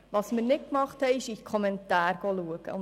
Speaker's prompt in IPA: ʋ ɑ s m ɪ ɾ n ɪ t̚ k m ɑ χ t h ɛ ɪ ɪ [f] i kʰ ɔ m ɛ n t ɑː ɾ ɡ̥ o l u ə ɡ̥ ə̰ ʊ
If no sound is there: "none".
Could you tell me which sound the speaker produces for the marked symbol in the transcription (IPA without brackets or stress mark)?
ʃ